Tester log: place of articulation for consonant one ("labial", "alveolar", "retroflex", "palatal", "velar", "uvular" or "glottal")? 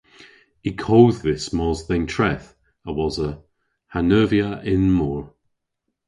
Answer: velar